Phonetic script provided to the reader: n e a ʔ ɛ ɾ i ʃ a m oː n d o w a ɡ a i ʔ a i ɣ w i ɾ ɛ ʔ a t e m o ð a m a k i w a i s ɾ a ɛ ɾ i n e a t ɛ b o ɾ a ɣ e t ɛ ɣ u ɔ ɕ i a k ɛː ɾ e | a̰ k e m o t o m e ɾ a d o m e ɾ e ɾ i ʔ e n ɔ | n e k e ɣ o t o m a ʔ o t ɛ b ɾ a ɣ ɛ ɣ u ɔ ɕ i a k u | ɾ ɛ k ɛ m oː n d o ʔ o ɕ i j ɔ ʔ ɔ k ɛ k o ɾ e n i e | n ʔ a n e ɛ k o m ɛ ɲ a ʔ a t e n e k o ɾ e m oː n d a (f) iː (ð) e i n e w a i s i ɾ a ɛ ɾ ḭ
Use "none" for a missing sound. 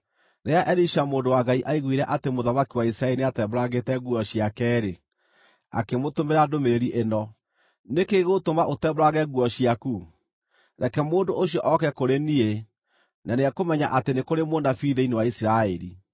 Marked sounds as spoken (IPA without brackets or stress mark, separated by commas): f, ð